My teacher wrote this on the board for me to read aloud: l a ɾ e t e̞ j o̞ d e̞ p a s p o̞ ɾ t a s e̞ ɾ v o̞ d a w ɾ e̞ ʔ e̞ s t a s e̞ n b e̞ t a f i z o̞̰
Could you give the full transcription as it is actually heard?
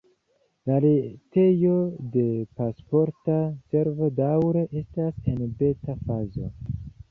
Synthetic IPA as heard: l a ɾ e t e̞ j o̞ d e̞ p a s p o̞ ɾ t a s e̞ ɾ v o̞ d a w ɾ e̞ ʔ e̞ s t a s e̞ n b e̞ t a f a z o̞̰